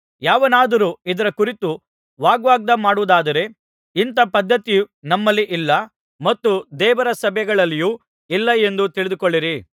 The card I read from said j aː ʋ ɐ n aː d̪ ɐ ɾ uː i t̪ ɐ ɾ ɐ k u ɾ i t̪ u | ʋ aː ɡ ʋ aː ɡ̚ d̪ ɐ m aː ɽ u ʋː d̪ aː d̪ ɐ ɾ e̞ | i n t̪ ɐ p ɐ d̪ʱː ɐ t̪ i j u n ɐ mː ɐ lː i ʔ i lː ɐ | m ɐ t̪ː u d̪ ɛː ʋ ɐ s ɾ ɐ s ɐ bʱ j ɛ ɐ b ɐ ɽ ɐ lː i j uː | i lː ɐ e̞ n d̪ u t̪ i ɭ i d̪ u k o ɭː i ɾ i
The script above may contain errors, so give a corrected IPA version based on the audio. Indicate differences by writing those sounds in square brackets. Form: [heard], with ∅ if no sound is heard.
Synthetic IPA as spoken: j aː ʋ ɐ n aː d̪ ɐ ɾ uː i [d̪] ɐ ɾ ɐ k u ɾ i t̪ u | ʋ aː ɡ ʋ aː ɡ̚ d̪ ɐ m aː ɽ u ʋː d̪ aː d̪ ɐ ɾ e̞ | i n t̪ ɐ p ɐ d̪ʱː ɐ t̪ i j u n ɐ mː ɐ lː i ʔ i lː ɐ | m ɐ t̪ː u d̪ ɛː ʋ ɐ [∅] ɾ ɐ s ɐ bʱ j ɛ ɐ [ɡ] ɐ [ɭ] ɐ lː i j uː | i lː ɐ e̞ n d̪ u t̪ i ɭ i d̪ u k o ɭː i ɾ i